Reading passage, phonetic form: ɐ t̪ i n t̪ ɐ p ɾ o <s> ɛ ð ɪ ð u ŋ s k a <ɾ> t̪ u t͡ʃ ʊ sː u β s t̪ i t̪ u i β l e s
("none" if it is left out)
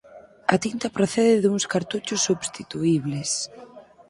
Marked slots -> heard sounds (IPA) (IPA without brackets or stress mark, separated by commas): θ, ɾ